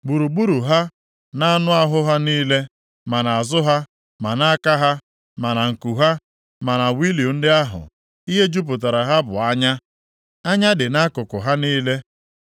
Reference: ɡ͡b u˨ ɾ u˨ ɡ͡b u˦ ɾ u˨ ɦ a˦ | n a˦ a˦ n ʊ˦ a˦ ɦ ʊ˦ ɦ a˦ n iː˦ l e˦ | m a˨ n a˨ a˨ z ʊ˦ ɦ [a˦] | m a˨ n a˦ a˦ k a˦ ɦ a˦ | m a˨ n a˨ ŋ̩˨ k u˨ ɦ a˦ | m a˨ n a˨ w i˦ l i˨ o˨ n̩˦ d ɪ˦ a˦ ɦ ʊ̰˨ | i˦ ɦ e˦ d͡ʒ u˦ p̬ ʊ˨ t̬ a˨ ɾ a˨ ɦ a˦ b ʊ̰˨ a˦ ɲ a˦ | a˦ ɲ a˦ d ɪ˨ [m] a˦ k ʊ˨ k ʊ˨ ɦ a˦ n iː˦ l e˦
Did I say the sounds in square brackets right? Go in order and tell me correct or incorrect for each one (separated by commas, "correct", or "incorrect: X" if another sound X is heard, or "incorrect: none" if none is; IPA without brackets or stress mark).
correct, incorrect: n